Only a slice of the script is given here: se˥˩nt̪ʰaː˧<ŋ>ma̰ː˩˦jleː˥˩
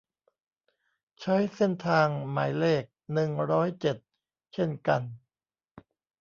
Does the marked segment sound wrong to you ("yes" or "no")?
no